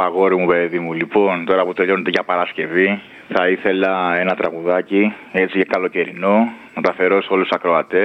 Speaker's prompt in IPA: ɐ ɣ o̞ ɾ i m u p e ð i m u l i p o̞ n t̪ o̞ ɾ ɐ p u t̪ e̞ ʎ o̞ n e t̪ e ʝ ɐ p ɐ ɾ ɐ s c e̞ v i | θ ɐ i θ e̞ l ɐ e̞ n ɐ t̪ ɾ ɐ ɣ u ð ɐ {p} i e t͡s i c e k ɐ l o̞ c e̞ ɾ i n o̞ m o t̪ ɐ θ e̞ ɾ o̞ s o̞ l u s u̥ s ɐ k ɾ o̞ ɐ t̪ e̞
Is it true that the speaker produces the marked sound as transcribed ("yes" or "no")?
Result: no